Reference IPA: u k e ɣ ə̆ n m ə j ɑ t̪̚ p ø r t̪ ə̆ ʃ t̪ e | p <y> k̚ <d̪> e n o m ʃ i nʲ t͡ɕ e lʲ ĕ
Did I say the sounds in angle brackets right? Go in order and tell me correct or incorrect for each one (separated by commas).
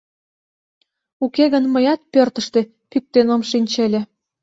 correct, incorrect